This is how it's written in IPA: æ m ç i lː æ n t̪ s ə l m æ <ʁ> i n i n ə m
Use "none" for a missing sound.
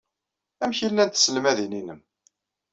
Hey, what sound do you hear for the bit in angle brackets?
ð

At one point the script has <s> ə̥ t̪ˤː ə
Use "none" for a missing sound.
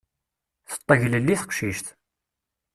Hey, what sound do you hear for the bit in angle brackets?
θ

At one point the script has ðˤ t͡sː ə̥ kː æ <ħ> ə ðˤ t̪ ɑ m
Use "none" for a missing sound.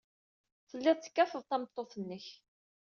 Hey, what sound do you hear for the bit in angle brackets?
f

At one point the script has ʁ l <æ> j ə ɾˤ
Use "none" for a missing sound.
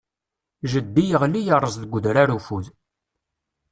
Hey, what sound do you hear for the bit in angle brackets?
i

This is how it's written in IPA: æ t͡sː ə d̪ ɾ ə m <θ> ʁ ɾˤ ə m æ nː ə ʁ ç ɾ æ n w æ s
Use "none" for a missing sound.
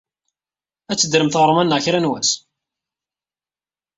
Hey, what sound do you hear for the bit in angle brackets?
θ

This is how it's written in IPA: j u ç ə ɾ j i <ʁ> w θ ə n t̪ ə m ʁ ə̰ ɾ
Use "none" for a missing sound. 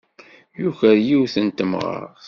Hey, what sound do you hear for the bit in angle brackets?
none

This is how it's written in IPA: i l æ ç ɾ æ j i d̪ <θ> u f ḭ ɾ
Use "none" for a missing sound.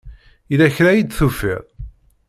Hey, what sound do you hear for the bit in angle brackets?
θ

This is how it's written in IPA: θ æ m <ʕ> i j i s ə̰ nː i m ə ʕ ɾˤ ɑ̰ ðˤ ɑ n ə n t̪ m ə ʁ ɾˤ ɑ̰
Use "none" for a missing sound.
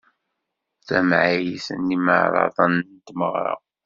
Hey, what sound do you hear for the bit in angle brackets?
ʕ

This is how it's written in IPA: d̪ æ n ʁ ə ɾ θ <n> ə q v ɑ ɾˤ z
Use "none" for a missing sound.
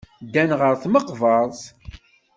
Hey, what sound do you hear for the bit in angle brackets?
m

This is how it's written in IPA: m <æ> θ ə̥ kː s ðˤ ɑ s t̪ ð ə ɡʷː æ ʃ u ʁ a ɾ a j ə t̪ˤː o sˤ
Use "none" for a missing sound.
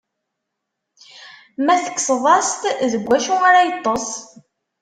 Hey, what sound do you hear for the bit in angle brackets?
æ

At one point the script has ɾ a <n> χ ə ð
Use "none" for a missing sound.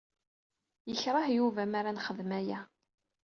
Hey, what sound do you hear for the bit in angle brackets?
n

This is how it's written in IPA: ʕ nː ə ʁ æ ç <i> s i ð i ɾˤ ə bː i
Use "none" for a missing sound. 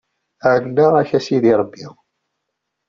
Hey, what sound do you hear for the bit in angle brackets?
æ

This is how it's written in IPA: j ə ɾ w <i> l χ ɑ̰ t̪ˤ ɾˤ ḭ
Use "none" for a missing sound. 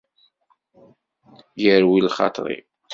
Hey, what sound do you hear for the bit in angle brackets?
i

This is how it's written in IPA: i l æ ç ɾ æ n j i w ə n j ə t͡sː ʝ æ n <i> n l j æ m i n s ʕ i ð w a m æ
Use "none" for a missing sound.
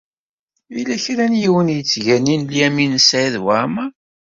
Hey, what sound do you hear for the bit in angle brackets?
i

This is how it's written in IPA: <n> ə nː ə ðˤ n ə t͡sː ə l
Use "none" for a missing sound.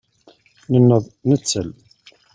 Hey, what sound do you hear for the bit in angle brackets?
n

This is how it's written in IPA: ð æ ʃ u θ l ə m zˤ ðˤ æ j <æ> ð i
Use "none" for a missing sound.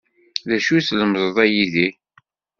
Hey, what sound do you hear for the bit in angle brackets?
i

